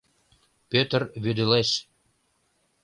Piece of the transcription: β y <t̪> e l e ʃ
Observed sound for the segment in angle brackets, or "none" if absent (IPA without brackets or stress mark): d̪